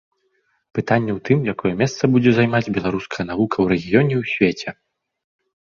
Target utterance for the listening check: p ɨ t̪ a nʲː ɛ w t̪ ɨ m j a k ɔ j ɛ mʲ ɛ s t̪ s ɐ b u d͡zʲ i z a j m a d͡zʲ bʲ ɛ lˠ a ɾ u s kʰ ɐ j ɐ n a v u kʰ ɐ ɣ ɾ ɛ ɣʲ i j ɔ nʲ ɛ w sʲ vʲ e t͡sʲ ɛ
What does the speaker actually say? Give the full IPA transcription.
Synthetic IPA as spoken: p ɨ t̪ a nʲː ɛ w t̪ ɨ m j a k ɔ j ɛ mʲ ɛ s t̪ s ɐ b u d͡zʲ ɛ z a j m a d͡zʲ bʲ ɛ lˠ a ɾ u s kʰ ɐ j ɐ n a v u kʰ ɐ w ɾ ɛ ɣʲ i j ɔ nʲ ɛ w sʲ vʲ e t͡sʲ ɛ